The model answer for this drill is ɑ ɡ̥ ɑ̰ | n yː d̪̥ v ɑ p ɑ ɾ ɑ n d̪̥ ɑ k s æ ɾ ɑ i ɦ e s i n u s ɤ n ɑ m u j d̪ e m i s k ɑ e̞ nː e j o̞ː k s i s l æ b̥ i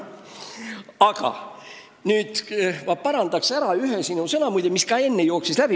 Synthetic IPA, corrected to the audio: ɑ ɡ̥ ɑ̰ | n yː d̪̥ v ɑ p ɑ ɾ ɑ n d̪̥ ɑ k s æ ɾ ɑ y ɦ e s i n u s ɤ n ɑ m u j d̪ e m i s k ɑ e̞ nː e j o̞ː k s i s l æ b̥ i